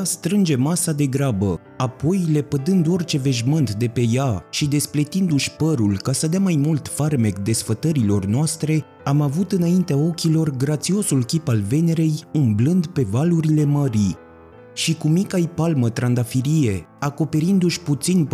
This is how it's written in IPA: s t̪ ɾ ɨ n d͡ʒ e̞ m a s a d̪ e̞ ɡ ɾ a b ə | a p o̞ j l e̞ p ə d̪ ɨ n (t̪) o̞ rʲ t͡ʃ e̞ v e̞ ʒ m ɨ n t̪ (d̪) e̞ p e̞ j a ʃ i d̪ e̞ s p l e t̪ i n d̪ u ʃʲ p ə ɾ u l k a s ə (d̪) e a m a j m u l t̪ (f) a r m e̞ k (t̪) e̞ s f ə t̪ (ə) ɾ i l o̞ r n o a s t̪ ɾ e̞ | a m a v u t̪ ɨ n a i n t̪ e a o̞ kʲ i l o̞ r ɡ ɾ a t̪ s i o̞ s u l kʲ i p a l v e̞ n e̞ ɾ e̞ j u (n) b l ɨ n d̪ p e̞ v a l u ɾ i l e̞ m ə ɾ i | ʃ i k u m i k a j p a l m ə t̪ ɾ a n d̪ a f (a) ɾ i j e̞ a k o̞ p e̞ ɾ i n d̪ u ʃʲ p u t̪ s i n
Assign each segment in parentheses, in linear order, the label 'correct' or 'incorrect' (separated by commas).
incorrect, correct, correct, correct, incorrect, correct, incorrect, incorrect